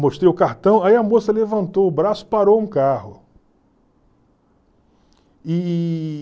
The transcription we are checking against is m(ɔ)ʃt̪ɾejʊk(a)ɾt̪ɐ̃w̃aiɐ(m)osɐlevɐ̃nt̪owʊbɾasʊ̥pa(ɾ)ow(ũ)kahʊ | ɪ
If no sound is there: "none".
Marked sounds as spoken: o, a, m, ɾ, ũ

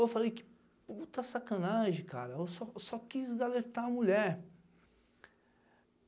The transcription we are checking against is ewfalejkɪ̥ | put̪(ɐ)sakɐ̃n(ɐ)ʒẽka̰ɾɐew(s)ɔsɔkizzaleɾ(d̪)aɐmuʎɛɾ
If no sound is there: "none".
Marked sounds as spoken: ɐ, a, s, t̪

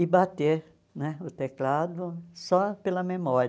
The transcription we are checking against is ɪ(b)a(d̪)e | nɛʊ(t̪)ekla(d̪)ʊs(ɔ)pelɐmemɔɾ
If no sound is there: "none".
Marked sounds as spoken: b, t̪, t̪, d̪, ɔ

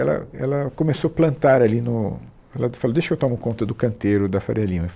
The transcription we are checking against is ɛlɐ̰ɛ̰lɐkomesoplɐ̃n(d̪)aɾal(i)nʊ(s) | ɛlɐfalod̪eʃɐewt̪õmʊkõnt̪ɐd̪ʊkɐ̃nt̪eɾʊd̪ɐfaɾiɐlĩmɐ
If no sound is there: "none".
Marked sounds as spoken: t̪, i, none

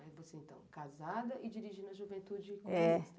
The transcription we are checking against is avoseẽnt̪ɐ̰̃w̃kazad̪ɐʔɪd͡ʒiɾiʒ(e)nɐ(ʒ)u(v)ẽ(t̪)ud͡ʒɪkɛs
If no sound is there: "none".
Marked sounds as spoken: i, ʒ, v, t̪

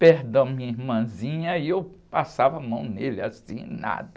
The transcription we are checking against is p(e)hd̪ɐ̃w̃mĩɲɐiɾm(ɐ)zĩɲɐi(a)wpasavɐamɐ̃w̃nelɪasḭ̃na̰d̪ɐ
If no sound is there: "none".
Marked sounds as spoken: e, ɐ̃, e

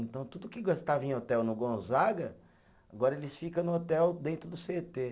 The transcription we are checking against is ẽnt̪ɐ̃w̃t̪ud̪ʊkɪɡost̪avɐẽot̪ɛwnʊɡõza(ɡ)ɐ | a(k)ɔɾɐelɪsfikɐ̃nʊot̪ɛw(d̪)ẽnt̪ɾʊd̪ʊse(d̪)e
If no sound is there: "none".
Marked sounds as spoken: ɡ, ɡ, d̪, t̪

